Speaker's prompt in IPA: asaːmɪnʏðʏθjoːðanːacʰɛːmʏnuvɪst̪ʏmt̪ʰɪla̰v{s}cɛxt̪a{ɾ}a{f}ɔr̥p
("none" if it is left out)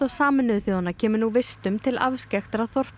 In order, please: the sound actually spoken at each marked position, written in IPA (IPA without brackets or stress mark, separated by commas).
s, ɾ, θ